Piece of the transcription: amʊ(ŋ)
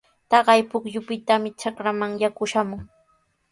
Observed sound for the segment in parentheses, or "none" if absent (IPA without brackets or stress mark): ŋ